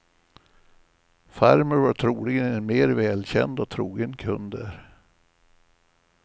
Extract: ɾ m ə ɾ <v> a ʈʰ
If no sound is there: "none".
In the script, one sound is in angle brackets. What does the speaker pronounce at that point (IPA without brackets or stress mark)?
v